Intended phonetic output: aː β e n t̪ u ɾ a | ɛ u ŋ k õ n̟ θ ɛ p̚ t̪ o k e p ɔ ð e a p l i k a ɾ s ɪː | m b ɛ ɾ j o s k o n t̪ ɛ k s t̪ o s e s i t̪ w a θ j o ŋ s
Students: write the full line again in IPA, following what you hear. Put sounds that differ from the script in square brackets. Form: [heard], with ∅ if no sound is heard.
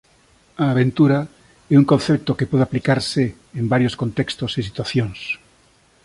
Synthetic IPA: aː β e n t̪ u ɾ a | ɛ u ŋ k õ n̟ θ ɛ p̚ t̪ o k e p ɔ ð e a p l i k a ɾ s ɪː | m b [a] ɾ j o s k o n t̪ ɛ k s t̪ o s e s i t̪ w a θ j o ŋ s